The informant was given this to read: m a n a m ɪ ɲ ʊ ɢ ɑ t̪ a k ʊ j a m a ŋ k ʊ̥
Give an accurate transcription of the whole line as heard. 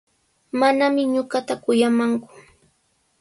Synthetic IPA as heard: m a n a m ɪ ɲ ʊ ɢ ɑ t̪ a k ʊ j a m a ŋ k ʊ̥